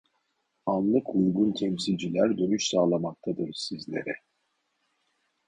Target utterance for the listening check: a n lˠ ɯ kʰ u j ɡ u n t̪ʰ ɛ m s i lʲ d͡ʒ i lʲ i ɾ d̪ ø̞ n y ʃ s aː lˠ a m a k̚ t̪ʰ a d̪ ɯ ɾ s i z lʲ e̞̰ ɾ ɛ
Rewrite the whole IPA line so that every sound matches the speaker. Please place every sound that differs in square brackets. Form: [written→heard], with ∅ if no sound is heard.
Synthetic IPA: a n lˠ ɯ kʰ u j ɡ u n t̪ʰ ɛ m s i lʲ d͡ʒ i lʲ [i→æ] ɾ d̪ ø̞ n y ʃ s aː lˠ a m a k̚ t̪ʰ a d̪ ɯ ɾ s i z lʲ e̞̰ ɾ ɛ